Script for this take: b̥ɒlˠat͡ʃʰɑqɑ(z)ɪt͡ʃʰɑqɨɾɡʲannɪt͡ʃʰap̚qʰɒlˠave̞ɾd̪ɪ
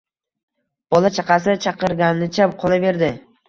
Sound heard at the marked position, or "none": s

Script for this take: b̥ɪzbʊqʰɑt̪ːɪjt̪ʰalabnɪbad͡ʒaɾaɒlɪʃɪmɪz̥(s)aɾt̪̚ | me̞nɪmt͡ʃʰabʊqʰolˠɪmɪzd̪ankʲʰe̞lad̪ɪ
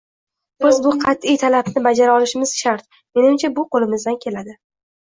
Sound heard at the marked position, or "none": ʃ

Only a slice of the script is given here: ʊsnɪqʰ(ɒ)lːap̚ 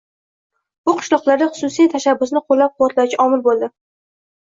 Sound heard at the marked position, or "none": o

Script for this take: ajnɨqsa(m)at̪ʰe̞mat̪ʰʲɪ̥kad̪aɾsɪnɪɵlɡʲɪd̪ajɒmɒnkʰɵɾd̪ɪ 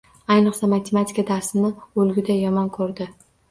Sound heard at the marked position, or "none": m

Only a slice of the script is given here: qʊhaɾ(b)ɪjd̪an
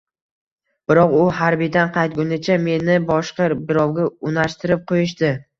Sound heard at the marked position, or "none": b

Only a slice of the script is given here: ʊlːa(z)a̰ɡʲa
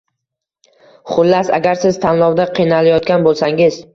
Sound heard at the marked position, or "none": s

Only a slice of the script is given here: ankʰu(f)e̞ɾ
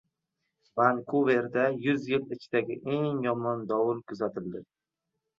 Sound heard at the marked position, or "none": v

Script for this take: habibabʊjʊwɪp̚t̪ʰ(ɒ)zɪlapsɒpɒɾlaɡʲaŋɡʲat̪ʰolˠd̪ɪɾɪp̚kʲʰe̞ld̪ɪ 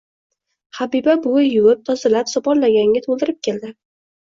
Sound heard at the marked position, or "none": ɒ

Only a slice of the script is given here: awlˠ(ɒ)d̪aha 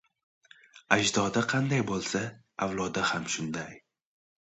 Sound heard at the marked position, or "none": ɒ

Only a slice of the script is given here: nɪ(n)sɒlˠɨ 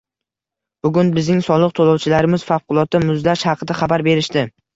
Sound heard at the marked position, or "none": ŋ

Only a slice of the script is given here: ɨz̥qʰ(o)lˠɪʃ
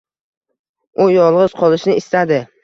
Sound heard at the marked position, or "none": ɒ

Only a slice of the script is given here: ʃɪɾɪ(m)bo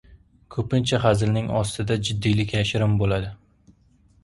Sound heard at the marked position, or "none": m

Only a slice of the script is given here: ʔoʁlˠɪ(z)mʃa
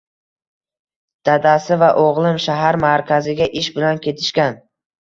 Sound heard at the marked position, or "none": none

